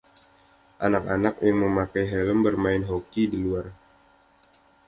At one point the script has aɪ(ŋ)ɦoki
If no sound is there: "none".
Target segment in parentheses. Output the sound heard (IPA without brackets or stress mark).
n